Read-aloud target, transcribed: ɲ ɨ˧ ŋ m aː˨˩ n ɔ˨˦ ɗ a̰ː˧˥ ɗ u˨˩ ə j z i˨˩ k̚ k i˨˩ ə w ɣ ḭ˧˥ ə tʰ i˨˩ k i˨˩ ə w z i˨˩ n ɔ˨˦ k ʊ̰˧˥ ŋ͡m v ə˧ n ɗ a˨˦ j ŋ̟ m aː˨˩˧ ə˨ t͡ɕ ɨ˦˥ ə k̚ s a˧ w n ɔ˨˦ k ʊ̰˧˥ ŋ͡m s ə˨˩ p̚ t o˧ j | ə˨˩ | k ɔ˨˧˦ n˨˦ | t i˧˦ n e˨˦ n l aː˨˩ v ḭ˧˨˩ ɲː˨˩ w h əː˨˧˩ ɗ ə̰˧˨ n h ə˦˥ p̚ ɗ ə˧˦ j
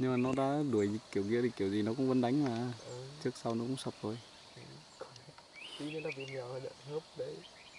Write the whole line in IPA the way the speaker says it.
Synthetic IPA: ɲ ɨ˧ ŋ m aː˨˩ n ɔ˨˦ ɗ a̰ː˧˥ ɗ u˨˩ ə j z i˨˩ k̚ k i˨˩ ə w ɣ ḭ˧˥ ə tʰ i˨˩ k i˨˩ ə w z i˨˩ n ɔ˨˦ k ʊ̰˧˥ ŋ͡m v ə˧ n ɗ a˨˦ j ŋ̟ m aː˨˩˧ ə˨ t͡ɕ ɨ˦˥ ə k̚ s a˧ w n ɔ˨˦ k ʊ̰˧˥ ŋ͡m s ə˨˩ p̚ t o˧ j | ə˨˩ | k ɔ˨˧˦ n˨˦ | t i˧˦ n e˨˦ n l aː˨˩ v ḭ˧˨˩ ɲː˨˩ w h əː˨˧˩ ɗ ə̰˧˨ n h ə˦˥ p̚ ɗ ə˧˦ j